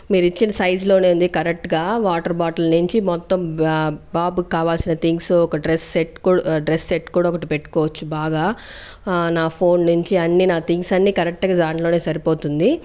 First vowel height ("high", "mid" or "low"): high